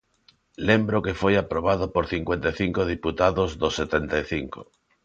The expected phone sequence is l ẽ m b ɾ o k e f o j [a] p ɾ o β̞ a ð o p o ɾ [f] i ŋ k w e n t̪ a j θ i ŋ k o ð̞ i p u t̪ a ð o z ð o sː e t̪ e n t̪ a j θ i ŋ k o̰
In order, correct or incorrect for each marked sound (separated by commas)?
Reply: correct, incorrect